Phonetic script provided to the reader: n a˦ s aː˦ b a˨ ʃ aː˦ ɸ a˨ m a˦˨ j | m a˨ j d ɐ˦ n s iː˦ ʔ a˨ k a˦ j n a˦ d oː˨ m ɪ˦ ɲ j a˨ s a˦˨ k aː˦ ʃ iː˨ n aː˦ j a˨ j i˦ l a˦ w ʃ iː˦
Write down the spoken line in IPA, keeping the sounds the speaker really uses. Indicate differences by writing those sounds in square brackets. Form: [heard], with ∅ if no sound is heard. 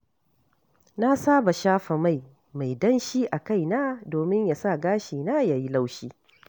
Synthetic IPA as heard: n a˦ s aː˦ b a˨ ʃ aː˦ ɸ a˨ m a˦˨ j | m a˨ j d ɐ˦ n [ʃ] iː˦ ʔ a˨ k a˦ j n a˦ d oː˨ m ɪ˦ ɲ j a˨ s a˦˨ [ɡ] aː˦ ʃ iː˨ n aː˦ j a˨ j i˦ l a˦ w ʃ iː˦